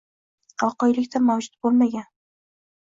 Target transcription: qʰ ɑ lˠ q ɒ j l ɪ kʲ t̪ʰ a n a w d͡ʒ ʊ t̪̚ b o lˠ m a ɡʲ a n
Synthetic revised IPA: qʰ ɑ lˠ q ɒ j l ɪ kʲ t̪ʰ a m a w d͡ʒ ʊ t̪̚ b o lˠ m a ɡʲ a n